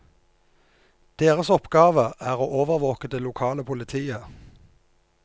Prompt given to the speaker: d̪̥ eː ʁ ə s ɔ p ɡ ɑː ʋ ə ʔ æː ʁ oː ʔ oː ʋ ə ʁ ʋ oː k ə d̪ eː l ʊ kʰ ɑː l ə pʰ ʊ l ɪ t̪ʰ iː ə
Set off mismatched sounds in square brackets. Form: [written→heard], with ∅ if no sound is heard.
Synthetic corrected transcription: d̪̥ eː ʁ ə s ɔ p ɡ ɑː ʋ ə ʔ æː ʁ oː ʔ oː ʋ ə ʁ ʋ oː k ə d̪ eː l ʊ kʰ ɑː l ə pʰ ʊ l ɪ t̪ʰ iː ə